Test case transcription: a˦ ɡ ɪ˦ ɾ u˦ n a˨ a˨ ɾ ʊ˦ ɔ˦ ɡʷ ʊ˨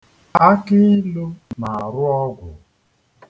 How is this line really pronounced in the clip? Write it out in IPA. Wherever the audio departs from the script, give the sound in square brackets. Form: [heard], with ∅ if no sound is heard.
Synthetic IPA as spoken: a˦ [k] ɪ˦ [l] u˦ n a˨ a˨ ɾ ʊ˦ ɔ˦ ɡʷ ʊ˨